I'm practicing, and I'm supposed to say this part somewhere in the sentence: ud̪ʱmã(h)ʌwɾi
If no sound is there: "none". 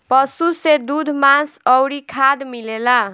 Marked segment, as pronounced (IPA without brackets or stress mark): s